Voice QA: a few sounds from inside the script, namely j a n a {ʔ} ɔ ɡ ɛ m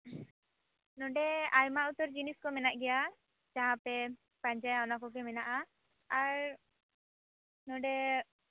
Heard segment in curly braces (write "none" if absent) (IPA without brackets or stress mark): k